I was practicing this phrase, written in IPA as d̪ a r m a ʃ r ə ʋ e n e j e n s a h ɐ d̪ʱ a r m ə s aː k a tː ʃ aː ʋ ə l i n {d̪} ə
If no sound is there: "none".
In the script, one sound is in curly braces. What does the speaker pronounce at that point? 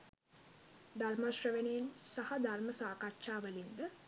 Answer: d̪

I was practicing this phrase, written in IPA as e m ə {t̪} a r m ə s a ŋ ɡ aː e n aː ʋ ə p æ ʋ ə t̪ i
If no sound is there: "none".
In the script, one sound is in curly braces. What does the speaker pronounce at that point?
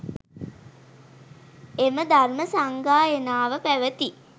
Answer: d̪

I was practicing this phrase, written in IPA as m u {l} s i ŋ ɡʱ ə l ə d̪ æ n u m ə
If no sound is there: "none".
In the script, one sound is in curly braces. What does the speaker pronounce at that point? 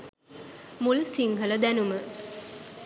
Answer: l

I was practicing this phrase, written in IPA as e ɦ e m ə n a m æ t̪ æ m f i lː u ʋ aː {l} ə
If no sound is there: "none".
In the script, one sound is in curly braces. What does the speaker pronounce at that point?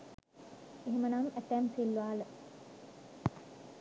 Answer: l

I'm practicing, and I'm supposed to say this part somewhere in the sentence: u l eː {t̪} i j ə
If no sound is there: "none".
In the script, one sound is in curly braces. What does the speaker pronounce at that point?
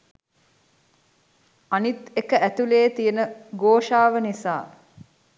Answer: t̪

